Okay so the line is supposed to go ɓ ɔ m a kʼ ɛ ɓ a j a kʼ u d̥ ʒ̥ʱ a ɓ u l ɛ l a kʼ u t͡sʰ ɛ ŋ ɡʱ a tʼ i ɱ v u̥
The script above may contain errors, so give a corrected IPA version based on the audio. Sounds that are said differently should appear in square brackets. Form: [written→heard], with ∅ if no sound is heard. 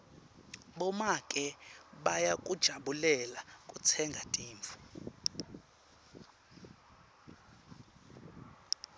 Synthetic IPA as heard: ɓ ɔ m a kʼ ɛ ɓ a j a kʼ u d̥ ʒ̥ʱ a ɓ u l ɛ l a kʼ u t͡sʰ ɛ ŋ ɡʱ a tʼ [i→iː] ɱ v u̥